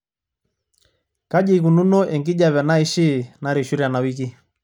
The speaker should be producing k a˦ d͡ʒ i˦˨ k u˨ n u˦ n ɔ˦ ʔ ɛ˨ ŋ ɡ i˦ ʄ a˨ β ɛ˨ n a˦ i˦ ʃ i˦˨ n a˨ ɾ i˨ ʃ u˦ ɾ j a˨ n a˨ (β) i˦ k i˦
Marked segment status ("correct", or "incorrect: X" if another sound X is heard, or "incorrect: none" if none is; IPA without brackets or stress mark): incorrect: w